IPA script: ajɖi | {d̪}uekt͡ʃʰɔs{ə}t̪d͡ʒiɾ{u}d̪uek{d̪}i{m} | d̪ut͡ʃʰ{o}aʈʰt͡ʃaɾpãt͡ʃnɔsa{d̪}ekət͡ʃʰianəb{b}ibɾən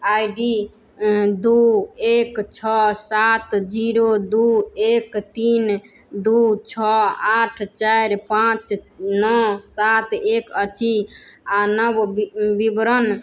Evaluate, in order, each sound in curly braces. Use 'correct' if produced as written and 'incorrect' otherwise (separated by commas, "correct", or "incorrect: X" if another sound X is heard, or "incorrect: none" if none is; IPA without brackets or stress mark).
correct, incorrect: a, incorrect: o, incorrect: t̪, incorrect: n, incorrect: ɔ, incorrect: t̪, correct